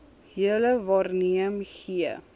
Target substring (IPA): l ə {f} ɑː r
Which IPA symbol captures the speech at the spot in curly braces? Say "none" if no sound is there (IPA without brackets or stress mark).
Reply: v